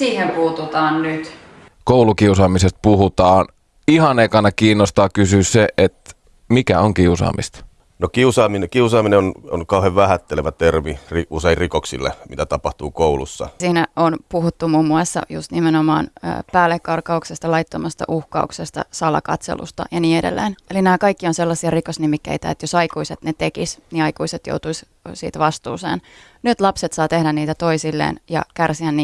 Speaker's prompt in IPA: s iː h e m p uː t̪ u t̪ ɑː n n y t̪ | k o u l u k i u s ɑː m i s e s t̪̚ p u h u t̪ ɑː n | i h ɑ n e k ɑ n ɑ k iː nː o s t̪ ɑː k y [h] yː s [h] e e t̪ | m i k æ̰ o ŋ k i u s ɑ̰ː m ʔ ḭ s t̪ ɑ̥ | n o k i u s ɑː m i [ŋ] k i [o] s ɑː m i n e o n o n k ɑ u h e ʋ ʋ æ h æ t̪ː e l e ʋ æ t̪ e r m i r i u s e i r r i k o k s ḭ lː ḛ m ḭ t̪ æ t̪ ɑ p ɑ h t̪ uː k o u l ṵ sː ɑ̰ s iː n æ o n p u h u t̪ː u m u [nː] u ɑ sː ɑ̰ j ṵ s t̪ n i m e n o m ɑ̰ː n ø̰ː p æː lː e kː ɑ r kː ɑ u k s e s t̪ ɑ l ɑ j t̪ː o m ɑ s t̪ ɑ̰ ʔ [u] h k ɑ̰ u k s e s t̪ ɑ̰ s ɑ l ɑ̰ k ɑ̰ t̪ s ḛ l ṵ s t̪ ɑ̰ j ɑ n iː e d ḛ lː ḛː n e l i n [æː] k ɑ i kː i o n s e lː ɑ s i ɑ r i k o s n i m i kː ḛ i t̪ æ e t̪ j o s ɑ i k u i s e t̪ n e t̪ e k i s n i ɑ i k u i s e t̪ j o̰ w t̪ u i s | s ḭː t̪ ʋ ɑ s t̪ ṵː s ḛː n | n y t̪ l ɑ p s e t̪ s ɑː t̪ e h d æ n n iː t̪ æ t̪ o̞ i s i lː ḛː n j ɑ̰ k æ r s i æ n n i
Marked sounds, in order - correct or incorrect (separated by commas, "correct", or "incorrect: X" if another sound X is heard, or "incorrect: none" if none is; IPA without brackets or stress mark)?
incorrect: s, incorrect: s, incorrect: n, incorrect: u, incorrect: mː, correct, correct